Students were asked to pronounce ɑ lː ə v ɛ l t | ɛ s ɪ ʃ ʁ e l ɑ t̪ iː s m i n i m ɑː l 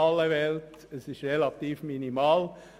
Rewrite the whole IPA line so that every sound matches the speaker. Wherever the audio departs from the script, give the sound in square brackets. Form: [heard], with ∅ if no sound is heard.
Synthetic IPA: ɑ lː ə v ɛ l t | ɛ s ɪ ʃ ʁ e l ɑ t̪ iː [f] m i n i m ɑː l